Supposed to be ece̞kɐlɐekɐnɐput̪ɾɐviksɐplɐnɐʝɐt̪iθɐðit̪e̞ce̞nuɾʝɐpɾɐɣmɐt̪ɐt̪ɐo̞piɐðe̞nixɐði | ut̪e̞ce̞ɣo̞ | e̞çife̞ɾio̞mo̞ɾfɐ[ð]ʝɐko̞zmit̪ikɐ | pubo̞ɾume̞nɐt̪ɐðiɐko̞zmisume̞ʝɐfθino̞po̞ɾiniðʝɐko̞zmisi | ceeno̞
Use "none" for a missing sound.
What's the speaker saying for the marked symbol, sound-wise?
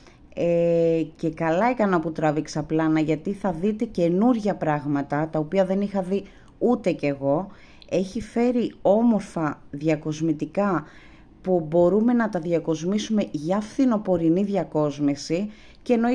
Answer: ð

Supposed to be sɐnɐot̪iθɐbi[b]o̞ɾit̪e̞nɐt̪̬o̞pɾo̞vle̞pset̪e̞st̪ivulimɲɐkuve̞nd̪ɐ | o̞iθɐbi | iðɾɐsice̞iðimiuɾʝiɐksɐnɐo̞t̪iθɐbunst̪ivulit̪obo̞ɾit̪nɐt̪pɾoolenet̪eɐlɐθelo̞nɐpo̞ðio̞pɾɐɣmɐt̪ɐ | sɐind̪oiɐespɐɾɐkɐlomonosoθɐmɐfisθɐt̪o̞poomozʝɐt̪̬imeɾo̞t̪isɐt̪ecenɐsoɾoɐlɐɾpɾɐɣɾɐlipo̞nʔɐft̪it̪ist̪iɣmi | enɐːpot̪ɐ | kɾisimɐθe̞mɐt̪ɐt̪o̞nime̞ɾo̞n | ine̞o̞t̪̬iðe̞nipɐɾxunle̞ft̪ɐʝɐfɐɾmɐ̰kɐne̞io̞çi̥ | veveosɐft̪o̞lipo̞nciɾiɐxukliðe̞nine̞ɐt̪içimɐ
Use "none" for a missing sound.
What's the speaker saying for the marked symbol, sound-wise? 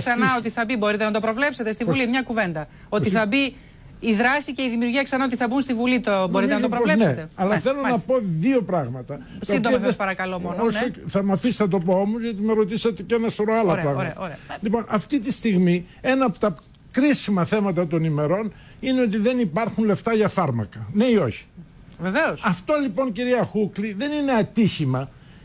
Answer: b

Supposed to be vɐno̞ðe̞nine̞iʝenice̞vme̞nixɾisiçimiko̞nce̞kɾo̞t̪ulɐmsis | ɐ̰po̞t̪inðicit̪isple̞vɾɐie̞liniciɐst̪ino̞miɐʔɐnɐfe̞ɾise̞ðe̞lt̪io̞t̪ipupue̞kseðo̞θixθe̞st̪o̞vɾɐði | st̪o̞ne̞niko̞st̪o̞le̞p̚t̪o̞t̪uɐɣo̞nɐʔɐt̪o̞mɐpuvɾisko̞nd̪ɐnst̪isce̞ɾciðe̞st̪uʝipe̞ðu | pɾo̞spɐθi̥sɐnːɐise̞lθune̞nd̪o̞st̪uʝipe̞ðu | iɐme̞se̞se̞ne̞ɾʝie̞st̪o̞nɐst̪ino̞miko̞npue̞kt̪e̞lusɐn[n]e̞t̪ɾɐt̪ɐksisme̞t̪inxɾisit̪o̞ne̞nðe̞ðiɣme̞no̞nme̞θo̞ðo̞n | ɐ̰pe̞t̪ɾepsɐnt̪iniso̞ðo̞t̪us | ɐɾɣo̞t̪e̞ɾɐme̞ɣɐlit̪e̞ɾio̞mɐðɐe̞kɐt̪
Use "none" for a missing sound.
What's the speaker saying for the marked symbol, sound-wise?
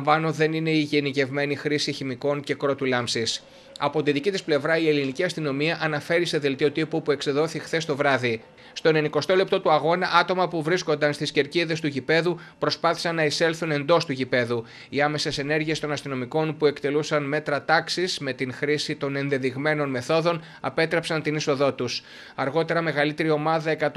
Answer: m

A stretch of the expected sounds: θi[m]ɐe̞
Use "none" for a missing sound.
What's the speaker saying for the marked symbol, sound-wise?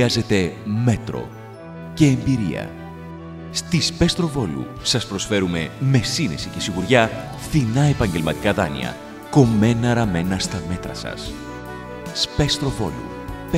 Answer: n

